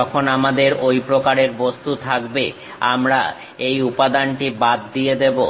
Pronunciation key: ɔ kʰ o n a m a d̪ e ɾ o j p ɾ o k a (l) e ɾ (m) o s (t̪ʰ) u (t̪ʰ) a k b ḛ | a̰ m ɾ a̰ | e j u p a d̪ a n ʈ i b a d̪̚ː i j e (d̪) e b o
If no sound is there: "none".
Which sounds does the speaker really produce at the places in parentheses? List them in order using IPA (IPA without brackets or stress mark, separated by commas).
ɾ, b, t̪, t̪ʰ, d̪